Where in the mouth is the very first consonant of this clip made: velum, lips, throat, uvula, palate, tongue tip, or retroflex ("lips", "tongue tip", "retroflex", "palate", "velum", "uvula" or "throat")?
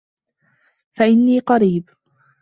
lips